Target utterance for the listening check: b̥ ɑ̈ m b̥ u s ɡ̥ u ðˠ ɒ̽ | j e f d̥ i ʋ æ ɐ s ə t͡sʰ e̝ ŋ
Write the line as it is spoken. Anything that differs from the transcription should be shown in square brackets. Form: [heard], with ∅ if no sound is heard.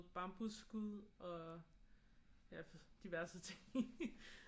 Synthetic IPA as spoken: b̥ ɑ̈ m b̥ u s ɡ̥ u ðˠ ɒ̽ | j [æ] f d̥ i ʋ æ ɐ s ə t͡sʰ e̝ ŋ